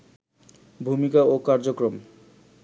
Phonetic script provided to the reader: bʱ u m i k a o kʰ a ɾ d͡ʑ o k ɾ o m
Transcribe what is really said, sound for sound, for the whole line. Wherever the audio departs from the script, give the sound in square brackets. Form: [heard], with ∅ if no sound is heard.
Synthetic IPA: bʱ u m i k a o [k] a ɾ d͡ʑ o k ɾ o m